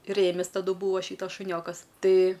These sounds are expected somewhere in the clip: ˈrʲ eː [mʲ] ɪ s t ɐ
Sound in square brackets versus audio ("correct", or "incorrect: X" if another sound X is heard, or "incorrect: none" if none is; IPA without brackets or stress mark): correct